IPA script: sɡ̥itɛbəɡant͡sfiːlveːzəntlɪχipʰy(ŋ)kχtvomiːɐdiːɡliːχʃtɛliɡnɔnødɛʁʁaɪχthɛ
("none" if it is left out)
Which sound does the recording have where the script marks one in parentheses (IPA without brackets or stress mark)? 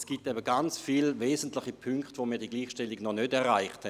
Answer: ŋ